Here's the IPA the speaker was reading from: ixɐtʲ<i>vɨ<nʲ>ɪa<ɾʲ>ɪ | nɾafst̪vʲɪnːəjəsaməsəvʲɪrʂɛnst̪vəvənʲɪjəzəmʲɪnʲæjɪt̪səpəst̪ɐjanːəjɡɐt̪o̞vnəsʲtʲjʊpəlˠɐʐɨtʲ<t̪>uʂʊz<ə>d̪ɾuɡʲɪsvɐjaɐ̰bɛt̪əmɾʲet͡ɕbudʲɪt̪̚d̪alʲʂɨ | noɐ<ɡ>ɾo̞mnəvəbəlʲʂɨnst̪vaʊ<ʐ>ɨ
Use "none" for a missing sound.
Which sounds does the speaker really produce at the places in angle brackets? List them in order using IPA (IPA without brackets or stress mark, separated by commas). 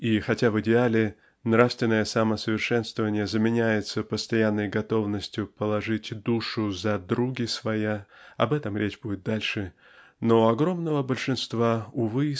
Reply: a, dʲ, lʲ, d̪, ɐ, ɡ, v